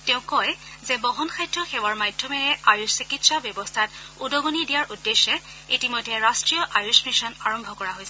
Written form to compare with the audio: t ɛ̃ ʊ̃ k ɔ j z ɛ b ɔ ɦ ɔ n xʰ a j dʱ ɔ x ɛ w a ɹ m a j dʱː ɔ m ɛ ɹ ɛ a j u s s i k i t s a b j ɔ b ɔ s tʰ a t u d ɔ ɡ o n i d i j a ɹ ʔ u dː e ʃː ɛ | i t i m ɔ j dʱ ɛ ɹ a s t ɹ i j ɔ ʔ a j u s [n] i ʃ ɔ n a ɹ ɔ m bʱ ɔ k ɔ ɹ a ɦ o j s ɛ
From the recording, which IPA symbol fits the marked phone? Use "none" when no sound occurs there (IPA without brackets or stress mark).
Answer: m